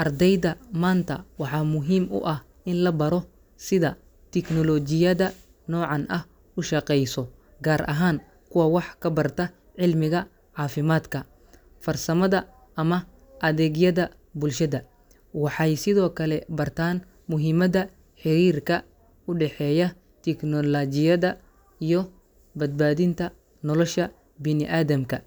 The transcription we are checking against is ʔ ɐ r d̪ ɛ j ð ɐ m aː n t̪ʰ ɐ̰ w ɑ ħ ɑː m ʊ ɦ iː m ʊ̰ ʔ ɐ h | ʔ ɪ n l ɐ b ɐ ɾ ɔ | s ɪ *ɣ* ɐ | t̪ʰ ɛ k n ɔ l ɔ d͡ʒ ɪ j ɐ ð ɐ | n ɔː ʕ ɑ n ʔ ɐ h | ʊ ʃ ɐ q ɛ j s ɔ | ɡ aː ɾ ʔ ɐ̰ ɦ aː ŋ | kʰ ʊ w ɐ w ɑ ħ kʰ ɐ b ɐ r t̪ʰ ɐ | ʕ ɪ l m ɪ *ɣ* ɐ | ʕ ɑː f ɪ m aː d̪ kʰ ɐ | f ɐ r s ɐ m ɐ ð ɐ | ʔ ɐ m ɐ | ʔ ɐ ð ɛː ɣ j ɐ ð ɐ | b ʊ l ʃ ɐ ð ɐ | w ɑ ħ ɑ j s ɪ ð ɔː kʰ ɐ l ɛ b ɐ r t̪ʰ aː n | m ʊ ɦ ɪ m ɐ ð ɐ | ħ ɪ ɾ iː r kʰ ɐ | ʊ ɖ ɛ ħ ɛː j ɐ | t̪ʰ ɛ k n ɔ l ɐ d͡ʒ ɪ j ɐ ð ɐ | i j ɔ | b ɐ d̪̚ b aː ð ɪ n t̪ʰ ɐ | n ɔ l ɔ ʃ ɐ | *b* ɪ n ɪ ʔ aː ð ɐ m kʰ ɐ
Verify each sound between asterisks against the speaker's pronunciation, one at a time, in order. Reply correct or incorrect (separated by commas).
incorrect, correct, correct